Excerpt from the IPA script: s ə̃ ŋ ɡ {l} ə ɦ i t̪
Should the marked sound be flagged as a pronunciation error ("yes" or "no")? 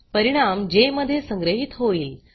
yes